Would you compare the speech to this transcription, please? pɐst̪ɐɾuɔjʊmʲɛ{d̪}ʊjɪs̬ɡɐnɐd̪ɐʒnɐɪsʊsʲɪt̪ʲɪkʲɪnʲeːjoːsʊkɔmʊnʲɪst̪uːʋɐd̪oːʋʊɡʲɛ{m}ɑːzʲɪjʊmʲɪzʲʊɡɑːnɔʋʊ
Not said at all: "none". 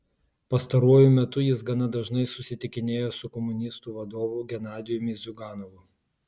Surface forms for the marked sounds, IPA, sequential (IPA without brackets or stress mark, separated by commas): t̪, n